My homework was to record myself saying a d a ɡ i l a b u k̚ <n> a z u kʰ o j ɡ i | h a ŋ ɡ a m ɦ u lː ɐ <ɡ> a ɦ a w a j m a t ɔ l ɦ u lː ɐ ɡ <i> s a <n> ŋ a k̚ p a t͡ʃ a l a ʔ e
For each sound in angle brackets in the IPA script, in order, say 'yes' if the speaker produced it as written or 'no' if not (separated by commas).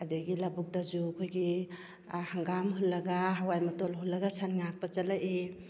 no, yes, no, yes